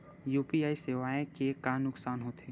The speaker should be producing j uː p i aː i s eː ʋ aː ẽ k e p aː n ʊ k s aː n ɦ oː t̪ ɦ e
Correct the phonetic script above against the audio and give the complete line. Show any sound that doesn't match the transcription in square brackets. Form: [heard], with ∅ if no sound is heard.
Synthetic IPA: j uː p i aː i s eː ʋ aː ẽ k e [k] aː n ʊ k s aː n ɦ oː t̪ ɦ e

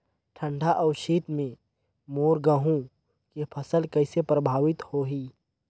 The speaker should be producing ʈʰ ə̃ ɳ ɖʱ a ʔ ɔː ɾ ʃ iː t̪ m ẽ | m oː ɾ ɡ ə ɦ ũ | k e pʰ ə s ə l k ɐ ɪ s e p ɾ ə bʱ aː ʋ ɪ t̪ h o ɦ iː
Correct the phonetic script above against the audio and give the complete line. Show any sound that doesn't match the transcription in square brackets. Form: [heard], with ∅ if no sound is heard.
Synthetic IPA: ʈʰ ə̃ ɳ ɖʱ a ʔ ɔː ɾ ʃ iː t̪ m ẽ | m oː ɾ ɡ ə ɦ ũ | k e pʰ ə s ə l k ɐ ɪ s e p ɾ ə bʱ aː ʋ ɪ t̪ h o ɦ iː

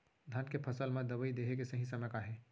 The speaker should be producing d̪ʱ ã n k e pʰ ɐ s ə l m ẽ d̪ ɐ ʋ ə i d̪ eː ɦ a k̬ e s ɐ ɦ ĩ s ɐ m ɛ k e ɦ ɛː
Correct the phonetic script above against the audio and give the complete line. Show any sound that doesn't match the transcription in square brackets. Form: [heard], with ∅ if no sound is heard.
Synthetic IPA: d̪ʱ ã n k e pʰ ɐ s ə l m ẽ d̪ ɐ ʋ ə i d̪ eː ɦ [e] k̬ e s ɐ ɦ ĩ s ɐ m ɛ k [a] ɦ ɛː

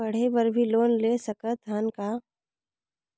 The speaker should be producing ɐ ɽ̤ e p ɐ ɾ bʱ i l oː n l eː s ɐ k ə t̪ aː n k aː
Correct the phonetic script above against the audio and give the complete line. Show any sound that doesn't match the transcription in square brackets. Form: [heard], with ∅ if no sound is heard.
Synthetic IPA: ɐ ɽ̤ e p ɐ ɾ bʱ i l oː n l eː s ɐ k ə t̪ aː n k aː

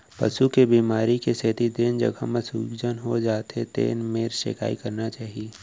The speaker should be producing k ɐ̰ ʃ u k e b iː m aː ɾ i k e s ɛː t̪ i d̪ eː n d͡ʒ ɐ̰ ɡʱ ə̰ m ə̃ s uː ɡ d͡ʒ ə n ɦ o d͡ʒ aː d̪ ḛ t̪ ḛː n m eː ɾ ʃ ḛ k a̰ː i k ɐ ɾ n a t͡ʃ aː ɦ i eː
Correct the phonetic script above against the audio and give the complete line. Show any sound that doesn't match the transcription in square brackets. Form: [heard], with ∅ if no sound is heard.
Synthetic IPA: [p] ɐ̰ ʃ u k e b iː m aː ɾ i k e s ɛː t̪ i d̪ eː n d͡ʒ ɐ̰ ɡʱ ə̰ m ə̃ s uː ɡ d͡ʒ ə n ɦ o d͡ʒ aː [t̪] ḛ t̪ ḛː n m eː ɾ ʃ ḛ k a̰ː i k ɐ ɾ n a t͡ʃ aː ɦ i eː

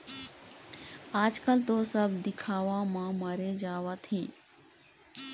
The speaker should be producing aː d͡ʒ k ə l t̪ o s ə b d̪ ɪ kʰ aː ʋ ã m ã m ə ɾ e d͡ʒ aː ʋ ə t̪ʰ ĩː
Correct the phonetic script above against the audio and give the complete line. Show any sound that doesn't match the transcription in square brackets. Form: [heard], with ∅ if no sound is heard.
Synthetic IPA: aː d͡ʒ k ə l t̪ o s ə b d̪ ɪ kʰ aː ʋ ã m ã m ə ɾ e d͡ʒ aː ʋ [a] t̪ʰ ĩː

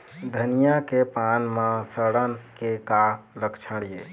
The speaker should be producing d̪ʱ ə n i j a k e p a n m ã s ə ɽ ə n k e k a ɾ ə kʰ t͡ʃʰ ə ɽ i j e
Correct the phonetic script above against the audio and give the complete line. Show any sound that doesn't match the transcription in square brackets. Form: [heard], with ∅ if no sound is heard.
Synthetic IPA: d̪ʱ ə n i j a k e p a n m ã s ə ɽ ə n k e k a [l] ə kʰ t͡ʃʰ ə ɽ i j e

